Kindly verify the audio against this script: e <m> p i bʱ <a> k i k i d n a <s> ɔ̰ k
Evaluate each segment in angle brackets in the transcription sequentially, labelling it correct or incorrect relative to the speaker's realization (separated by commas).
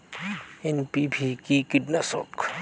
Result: incorrect, incorrect, correct